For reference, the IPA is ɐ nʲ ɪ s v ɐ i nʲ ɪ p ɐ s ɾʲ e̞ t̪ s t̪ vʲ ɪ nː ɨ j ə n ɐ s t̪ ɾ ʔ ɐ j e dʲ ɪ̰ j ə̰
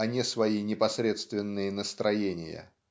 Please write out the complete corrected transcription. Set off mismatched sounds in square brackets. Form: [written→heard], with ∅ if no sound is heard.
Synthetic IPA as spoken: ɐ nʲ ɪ s v ɐ i nʲ ɪ p ɐ s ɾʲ e̞ t̪ s t̪ vʲ ɪ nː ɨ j ə n [ɐ→ə] s t̪ ɾ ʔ ɐ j e [dʲ→nʲ] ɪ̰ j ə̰